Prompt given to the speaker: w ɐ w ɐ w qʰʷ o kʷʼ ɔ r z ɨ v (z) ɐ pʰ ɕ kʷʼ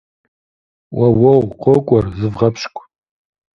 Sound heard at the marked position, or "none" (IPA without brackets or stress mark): ʁ